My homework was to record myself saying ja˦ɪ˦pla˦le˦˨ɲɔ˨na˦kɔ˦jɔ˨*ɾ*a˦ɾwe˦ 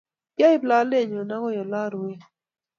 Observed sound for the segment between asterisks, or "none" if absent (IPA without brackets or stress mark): l